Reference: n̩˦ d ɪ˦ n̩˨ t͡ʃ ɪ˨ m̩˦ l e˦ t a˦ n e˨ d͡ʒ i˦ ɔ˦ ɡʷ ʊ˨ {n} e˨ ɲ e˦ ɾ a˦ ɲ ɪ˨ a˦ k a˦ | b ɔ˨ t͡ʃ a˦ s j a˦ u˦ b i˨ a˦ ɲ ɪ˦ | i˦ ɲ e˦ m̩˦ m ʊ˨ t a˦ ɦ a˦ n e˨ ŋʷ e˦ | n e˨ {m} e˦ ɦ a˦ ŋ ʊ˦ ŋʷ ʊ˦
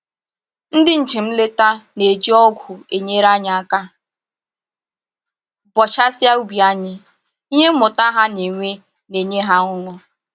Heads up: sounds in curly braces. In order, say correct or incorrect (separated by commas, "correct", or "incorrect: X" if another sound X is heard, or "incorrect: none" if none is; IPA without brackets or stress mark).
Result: incorrect: none, incorrect: ɲ